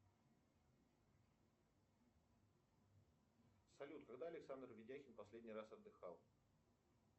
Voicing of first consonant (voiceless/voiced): voiceless